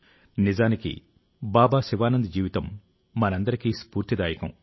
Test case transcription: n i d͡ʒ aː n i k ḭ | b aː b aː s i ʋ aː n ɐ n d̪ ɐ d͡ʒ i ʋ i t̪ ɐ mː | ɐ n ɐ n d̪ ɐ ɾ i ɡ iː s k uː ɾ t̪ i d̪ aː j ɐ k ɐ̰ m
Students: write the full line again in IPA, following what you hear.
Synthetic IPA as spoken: n i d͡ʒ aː n i k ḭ | b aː b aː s i ʋ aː n ɐ n d̪ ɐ d͡ʒ iː ʋ i t̪ ɐ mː | ɐ n ɐ n d̪ ɐ ɾ i k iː s p uː ɾ t̪ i d̪ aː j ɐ k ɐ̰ m